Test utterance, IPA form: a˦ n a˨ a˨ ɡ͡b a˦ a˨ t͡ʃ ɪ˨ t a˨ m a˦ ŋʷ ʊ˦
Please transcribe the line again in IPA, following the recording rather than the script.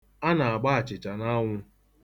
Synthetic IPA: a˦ n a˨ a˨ ɡ͡b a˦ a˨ t͡ʃ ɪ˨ t͡ʃ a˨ n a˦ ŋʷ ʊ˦